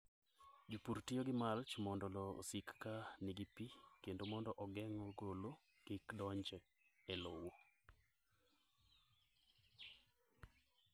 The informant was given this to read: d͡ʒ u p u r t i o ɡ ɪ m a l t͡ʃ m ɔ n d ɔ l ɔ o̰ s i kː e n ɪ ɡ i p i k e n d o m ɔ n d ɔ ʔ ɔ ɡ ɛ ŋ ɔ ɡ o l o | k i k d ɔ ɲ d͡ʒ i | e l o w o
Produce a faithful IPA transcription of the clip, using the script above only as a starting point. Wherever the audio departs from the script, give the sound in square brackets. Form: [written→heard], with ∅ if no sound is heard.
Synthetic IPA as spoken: d͡ʒ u p u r t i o ɡ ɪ m a l t͡ʃ m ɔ n d ɔ l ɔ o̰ s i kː [e→a] n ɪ ɡ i p i k e n d o m ɔ n d ɔ ʔ ɔ ɡ ɛ ŋ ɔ ɡ o l o | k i k d ɔ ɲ d͡ʒ [i→ɛ] | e l o w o